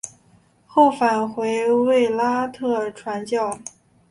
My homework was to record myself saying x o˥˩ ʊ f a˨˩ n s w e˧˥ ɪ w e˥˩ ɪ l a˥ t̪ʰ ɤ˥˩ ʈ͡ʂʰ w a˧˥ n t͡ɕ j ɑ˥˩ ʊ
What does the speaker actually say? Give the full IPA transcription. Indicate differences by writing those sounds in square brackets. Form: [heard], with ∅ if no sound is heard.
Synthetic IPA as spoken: x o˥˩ ʊ f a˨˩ n [x] w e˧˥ ɪ w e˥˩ ɪ l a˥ t̪ʰ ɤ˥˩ ʈ͡ʂʰ w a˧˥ n t͡ɕ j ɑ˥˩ ʊ